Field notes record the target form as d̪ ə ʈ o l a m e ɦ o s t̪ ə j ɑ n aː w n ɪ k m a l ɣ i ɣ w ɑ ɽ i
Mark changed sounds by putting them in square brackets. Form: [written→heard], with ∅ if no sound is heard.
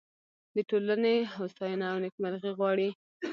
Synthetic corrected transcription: d̪ ə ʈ o l a [m→n] e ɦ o s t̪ [ə→ɑ] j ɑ n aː w n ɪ k m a l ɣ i ɣ w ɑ ɽ i